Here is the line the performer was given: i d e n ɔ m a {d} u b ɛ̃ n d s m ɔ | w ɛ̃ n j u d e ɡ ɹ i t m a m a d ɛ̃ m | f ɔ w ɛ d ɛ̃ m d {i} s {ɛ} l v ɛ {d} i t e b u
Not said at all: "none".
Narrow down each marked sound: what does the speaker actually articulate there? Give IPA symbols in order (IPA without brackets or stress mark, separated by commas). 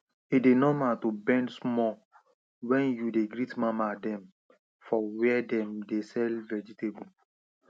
t, e, ɛ, d͡ʒ